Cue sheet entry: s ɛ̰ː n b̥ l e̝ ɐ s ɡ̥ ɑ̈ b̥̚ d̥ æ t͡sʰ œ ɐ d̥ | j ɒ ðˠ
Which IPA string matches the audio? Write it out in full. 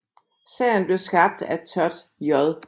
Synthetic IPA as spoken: s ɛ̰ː n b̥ l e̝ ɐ s ɡ̥ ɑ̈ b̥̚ d̥ æ t͡sʰ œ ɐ d̥ | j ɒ ðˠ